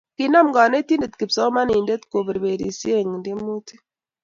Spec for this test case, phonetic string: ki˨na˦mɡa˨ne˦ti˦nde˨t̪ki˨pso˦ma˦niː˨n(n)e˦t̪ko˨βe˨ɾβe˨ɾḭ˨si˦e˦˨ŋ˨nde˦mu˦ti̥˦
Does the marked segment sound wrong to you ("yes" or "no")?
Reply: yes